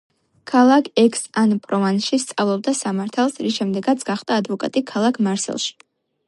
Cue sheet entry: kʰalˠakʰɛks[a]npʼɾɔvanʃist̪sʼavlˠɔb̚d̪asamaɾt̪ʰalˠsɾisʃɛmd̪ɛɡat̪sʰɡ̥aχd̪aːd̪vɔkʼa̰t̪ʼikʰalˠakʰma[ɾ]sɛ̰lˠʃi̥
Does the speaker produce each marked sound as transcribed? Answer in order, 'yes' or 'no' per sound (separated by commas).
yes, yes